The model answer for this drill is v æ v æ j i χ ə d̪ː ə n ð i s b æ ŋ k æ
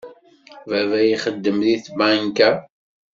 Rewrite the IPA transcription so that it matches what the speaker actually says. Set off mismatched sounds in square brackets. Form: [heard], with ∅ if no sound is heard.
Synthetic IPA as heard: v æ v æ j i χ ə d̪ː ə [m] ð i [θ] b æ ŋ k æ